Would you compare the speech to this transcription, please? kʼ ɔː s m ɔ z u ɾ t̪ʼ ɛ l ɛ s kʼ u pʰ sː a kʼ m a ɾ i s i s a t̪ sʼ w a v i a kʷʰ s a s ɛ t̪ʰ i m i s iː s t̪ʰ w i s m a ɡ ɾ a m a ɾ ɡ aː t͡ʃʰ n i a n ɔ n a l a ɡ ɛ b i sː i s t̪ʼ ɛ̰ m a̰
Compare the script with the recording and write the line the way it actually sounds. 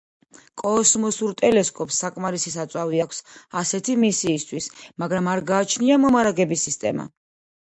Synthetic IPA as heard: kʼ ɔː s m ɔ s u ɾ t̪ʼ ɛ l ɛ s kʼ ɔ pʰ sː a kʼ m a ɾ i s i s a t̪ sʼ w a v i a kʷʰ s a s ɛ t̪ʰ i m i s iː s t̪ʰ w i s m a ɡ ɾ a m a ɾ ɡ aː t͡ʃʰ n i a m ɔ m a ɾ a ɡ ɛ b i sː i s t̪ʼ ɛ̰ m a̰

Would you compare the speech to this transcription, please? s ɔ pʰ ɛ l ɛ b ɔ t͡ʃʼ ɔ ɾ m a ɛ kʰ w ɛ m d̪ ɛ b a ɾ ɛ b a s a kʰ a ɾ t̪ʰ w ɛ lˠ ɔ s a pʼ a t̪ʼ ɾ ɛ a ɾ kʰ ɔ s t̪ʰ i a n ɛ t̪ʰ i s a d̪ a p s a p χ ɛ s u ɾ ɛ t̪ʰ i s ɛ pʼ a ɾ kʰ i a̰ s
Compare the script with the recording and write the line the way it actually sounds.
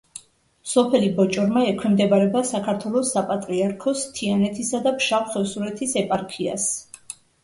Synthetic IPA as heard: s ɔ pʰ ɛ l i b ɔ t͡ʃʼ ɔ ɾ m a ɛ kʰ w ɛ m d̪ ɛ b a ɾ ɛ b a s a kʰ a ɾ t̪ʰ w ɛ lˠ ɔ s a pʼ a t̪ʼ ɾ i a ɾ kʰ ɔ s t̪ʰ i a n ɛ t̪ʰ i s a d̪ a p ʃ a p χ ɛ s u ɾ ɛ t̪ʰ i s ɛ pʼ a ɾ kʰ i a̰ s

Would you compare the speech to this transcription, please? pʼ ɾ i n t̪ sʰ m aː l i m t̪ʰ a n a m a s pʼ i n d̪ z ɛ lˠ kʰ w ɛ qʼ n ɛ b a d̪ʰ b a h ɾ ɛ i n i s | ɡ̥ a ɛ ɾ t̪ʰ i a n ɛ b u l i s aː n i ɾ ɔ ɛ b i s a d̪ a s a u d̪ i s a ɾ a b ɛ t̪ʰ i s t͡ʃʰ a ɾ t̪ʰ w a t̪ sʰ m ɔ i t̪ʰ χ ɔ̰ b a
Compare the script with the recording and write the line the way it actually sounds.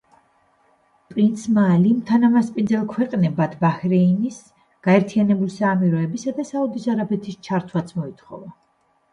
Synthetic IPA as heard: pʼ ɾ i n t̪ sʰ m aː l i m t̪ʰ a n a m a s pʼ i n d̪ z ɛ lˠ kʰ w ɛ qʼ n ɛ b a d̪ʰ b a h ɾ ɛ i n i s | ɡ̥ a ɛ ɾ t̪ʰ i a n ɛ b u l i s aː m i ɾ ɔ ɛ b i s a d̪ a s a u d̪ i s a ɾ a b ɛ t̪ʰ i s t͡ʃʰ a ɾ t̪ʰ w a t̪ sʰ m ɔ i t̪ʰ χ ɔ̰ v a

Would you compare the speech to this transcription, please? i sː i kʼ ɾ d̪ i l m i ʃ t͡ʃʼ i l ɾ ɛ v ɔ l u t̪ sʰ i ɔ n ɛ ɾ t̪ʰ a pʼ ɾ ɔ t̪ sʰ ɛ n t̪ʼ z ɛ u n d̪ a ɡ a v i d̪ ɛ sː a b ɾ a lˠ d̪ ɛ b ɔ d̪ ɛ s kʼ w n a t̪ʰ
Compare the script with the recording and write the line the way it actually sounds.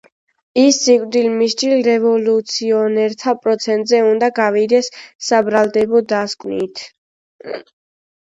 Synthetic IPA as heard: i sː i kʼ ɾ d̪ i l m i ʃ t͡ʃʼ i l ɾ ɛ v ɔ l u t̪ sʰ i ɔ n ɛ ɾ t̪ʰ a pʼ ɾ ɔ t̪ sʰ ɛ n t̪ʼ z ɛ u n d̪ a ɡ a v i d̪ ɛ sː a b ɾ a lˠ d̪ ɛ b ɔ d̪ a s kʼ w n i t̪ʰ

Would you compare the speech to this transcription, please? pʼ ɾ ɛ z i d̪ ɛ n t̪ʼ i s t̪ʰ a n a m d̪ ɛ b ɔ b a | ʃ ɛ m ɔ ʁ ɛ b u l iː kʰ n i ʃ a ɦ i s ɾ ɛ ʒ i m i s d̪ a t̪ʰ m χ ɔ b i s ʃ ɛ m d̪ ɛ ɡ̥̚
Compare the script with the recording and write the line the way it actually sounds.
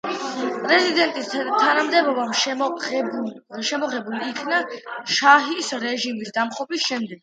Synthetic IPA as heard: pʼ ɾ ɛ z i d̪ ɛ n t̪ʼ i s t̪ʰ a n a m d̪ ɛ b ɔ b a | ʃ ɛ m ɔ ʁ ɛ b u l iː kʰ n a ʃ a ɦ i s ɾ ɛ ʒ i m i s d̪ a m χ ɔ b i s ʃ ɛ m d̪ ɛ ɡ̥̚

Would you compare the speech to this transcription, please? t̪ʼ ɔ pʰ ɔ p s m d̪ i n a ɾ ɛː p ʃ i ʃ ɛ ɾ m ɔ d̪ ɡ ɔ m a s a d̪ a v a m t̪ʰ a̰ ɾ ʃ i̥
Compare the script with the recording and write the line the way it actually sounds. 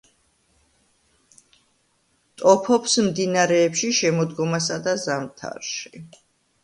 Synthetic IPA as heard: t̪ʼ ɔ pʰ ɔ p s m d̪ i n a ɾ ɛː p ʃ i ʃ ɛ m ɔ d̪ ɡ ɔ m a s a d̪ a z a m t̪ʰ a̰ ɾ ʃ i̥

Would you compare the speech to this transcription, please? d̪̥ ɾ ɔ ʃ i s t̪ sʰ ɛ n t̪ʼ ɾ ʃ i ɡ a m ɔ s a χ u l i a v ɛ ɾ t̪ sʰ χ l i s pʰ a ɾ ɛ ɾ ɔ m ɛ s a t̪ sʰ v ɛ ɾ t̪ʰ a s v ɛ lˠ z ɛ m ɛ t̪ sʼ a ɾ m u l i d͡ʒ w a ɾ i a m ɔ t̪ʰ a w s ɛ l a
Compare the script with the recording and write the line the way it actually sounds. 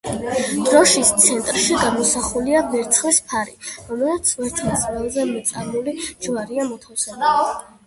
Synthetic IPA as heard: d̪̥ ɾ ɔ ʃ i s t̪ sʰ ɛ n t̪ʼ ɾ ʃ i ɡ a m ɔ s a χ u l i a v ɛ ɾ t̪ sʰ χ l i s pʰ a ɾ i ɾ ɔ m ɛ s a t̪ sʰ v ɛ ɾ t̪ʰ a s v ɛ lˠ z ɛ m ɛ t̪ sʼ a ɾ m u l i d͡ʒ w a ɾ i a m ɔ t̪ʰ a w s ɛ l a

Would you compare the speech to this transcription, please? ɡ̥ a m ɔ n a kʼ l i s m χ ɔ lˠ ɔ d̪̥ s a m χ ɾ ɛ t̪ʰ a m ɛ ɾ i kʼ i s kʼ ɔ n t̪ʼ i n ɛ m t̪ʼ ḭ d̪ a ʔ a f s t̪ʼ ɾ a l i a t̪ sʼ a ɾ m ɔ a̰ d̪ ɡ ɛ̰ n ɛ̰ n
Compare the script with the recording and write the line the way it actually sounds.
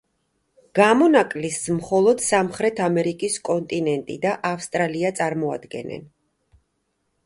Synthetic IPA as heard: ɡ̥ a m ɔ n a kʼ l i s m χ ɔ lˠ ɔ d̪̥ s a m χ ɾ ɛ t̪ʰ a m ɛ ɾ i kʼ i s kʼ ɔ n t̪ʼ i n ɛ n t̪ʼ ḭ d̪ a ʔ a f s t̪ʼ ɾ a l i a t̪ sʼ a ɾ m ɔ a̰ d̪ ɡ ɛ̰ n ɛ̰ n

